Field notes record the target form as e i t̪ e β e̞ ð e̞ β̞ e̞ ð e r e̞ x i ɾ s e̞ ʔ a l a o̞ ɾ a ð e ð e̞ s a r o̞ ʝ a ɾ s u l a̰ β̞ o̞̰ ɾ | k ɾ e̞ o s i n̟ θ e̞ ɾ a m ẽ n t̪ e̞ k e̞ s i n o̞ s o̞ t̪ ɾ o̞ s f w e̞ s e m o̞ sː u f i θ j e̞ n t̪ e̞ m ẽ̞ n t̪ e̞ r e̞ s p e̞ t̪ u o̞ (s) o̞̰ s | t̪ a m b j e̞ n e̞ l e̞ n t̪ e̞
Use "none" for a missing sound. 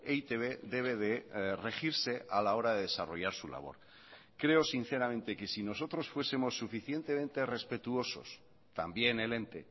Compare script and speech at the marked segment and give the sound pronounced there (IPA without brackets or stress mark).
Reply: s